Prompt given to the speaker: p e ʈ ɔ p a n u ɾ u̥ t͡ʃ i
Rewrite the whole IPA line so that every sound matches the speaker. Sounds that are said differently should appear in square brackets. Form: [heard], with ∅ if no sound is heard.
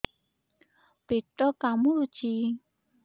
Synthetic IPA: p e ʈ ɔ [k] a [m] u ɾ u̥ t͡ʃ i